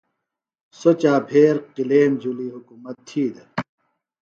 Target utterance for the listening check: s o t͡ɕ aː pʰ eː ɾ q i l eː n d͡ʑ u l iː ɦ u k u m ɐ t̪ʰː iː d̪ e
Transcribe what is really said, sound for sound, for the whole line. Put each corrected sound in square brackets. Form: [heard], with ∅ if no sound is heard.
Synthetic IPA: s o t͡ɕ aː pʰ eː ɾ q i l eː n d͡ʑ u l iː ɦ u k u m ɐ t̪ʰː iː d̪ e